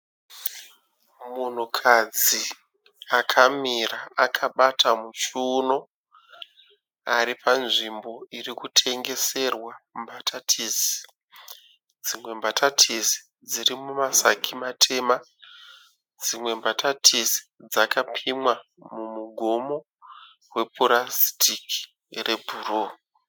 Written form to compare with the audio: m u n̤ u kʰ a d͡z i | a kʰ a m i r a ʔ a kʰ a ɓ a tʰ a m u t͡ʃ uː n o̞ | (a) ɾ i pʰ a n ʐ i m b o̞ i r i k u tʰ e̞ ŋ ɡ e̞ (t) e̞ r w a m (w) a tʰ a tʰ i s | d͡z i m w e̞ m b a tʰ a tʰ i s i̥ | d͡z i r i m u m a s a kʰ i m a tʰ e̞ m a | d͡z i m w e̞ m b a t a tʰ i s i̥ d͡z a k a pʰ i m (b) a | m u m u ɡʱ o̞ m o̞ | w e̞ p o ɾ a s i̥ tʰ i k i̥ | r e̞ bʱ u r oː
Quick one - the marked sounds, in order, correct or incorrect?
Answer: correct, incorrect: s, incorrect: b, incorrect: w

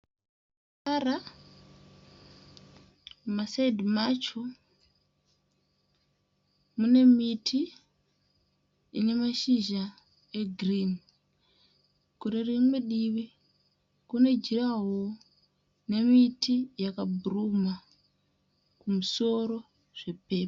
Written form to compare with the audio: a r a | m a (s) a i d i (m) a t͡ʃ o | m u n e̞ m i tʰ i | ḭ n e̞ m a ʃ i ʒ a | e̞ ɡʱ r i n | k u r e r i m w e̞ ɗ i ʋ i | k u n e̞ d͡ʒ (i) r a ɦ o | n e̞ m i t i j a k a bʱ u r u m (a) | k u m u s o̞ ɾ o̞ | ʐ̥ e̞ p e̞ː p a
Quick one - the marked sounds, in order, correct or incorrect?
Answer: correct, correct, correct, correct

